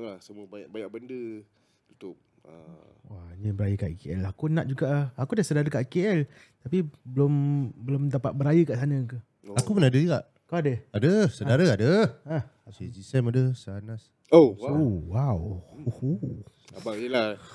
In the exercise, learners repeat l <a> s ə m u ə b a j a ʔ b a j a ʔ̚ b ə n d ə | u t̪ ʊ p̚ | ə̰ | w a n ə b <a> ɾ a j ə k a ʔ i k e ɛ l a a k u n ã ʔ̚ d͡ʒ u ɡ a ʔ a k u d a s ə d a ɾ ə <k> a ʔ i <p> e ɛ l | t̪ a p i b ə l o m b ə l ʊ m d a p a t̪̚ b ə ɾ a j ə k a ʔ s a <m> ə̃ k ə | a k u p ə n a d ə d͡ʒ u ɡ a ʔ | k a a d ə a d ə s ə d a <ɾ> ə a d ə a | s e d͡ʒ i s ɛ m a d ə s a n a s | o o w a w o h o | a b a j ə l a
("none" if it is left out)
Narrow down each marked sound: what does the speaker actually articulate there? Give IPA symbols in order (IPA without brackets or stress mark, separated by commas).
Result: a, ə, k, k, n, ɾ